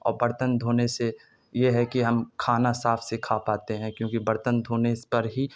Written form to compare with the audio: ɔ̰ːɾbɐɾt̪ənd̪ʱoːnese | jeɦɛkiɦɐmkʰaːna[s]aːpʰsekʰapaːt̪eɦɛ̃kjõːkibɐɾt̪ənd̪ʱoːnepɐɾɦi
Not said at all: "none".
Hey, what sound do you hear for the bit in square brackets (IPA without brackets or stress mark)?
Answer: s